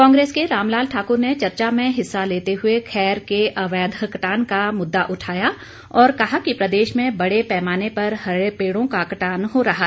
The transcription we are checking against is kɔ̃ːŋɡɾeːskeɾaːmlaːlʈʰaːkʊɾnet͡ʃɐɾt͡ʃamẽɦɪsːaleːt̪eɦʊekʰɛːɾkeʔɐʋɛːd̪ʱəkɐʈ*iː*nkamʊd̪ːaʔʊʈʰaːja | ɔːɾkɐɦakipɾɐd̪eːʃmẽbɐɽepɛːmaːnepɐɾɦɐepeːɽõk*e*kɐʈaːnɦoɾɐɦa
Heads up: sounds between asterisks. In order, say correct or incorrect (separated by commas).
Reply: incorrect, incorrect